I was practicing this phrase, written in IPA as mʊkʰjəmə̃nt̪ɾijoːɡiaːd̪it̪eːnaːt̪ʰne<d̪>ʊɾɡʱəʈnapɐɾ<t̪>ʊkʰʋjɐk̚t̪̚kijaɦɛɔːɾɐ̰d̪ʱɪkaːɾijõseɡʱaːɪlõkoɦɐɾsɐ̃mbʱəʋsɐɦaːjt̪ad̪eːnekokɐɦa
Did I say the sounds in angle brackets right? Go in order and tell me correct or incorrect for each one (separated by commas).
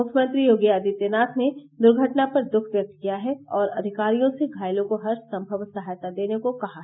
correct, incorrect